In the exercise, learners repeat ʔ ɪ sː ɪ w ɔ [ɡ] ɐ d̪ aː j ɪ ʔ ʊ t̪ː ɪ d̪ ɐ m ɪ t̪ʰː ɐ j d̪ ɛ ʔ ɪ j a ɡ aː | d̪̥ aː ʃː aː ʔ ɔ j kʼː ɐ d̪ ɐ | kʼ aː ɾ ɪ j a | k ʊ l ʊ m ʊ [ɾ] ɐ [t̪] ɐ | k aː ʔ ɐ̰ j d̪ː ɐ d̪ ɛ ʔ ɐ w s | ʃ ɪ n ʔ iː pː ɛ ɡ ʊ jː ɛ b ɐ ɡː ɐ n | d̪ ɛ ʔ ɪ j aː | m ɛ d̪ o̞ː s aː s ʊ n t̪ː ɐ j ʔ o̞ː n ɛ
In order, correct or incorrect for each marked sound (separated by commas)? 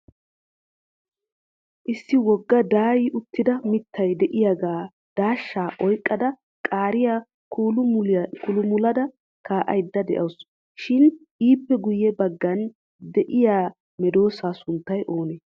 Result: incorrect, incorrect, incorrect